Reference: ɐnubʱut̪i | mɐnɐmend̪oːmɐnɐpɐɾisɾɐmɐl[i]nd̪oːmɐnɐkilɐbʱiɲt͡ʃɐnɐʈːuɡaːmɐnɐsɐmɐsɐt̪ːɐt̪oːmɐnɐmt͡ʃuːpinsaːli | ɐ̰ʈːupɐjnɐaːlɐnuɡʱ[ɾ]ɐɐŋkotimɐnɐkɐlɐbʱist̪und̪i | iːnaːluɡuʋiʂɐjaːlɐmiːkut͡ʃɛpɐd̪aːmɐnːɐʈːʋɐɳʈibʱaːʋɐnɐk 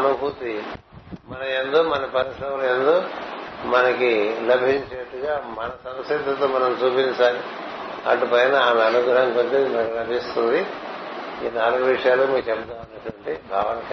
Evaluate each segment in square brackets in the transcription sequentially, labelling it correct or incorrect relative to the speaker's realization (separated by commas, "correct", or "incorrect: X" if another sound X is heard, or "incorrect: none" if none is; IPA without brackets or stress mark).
incorrect: e, correct